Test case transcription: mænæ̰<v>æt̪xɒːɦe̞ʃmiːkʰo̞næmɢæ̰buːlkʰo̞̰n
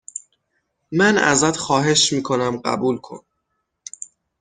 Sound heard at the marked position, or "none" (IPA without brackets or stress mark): z